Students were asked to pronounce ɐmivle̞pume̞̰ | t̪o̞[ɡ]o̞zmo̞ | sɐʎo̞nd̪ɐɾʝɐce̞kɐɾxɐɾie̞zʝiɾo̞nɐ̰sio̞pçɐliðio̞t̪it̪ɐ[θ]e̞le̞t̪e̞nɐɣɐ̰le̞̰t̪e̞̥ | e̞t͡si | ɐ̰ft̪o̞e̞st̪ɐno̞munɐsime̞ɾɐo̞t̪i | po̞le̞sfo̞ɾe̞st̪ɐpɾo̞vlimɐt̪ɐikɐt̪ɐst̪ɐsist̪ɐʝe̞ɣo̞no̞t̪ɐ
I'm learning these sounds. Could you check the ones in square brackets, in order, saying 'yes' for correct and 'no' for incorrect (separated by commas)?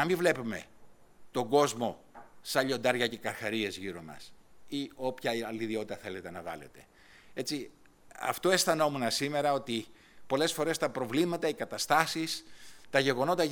yes, yes